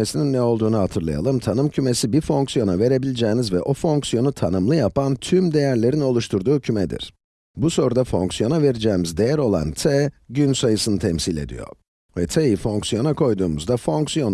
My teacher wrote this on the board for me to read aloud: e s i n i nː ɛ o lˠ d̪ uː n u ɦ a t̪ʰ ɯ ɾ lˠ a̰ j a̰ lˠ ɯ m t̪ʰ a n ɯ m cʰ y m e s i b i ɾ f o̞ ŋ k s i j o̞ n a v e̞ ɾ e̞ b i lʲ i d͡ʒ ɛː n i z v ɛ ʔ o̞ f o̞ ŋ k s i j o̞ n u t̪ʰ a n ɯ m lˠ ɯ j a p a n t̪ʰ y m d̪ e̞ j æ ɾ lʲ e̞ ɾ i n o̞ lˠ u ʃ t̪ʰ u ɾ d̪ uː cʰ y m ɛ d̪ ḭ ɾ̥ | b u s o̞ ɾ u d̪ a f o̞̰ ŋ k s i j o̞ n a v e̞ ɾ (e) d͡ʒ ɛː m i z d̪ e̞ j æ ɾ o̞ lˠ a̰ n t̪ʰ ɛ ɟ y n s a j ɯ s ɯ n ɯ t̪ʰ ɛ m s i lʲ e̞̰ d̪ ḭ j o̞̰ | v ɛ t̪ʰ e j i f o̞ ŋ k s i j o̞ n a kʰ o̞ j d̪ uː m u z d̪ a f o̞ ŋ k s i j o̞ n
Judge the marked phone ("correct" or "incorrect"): incorrect